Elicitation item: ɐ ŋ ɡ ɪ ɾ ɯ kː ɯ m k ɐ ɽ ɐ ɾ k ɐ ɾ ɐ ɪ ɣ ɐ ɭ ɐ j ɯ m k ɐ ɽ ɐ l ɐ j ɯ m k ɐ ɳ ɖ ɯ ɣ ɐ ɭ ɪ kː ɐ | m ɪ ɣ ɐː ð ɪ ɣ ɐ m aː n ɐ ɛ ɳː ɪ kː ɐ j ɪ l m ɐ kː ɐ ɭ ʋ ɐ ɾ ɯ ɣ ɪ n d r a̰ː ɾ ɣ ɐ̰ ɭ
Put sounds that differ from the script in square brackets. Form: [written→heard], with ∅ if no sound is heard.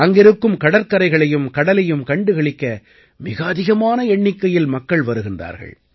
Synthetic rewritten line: ɐ ŋ ɡ ɪ ɾ ɯ kː ɯ m k ɐ ɽ ɐ ɾ k ɐ ɾ ɐ ɪ ɣ ɐ ɭ ɐ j ɯ m k ɐ ɽ ɐ l ɐ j ɯ m k ɐ ɳ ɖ ɯ ɣ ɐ ɭ ɪ kː ɐ | m ɪ ɣ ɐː ð ɪ ɣ ɐ m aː n ɐ ɛ ɳː ɪ kː ɐ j ɪ l m ɐ kː ɐ ɭ ʋ ɐ ɾ ɯ ɣ ɪ n d r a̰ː ɾ ɣ ɐ̰ ɭ